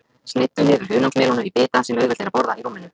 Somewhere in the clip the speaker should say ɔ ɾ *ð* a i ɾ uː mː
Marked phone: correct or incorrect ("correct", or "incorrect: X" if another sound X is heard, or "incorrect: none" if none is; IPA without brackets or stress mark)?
correct